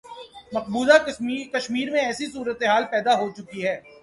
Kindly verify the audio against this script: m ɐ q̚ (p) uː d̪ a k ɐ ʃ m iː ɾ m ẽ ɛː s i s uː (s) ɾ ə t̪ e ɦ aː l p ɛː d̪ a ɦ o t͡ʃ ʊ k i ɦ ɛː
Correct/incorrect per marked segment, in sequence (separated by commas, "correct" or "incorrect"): incorrect, incorrect